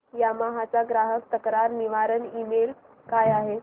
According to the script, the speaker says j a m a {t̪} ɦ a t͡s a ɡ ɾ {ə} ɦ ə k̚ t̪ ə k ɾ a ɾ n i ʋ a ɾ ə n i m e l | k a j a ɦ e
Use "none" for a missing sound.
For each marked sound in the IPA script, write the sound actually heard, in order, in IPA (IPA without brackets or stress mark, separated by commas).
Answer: none, a